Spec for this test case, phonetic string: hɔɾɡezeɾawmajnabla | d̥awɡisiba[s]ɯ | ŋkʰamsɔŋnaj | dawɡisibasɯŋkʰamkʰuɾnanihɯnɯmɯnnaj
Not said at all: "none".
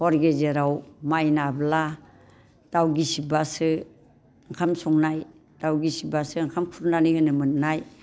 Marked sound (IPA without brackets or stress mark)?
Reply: s